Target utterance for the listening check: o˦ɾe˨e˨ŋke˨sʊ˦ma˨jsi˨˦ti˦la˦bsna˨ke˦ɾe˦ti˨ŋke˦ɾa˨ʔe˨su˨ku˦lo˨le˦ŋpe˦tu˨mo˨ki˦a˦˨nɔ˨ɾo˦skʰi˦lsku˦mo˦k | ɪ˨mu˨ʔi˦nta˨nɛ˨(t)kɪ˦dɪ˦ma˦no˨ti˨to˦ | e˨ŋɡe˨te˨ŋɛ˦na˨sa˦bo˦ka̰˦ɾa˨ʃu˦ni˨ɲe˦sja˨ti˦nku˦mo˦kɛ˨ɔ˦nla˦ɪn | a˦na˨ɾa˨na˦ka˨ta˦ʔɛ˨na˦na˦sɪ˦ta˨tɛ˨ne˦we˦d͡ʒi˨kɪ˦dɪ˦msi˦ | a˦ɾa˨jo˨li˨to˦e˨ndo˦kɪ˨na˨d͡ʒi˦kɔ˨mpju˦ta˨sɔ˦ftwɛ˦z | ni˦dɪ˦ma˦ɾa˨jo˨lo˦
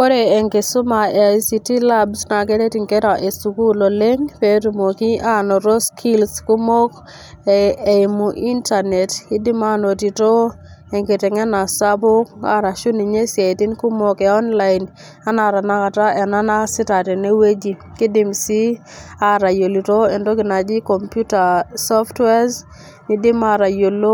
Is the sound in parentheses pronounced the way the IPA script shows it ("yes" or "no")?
yes